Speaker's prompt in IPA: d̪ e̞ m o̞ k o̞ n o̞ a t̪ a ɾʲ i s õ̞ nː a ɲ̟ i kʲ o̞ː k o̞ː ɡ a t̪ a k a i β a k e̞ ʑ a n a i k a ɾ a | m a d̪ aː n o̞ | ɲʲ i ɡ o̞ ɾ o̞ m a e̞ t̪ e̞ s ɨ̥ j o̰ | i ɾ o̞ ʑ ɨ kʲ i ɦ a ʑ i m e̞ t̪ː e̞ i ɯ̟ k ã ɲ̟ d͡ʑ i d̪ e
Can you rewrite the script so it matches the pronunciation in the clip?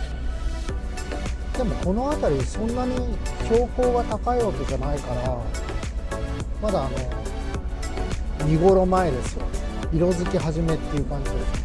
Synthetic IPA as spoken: d̪ e̞ m o̞ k o̞ n o̞ a t̪ a ɾʲ i s õ̞ nː a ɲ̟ i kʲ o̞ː k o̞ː ɡ a t̪ a k a i β a k e̞ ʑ a n a i k a ɾ a | m a d̪ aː n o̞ | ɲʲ i ɡ o̞ ɾ o̞ m a e̞ d̪ e̞ s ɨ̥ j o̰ | i ɾ o̞ z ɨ kʲ i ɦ a ʑ i m e̞ t̪ː e̞ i ɯ̟ k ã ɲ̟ d͡ʑ i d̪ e